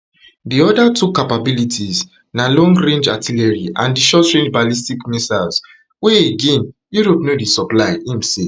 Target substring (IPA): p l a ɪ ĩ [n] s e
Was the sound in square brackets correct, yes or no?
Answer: no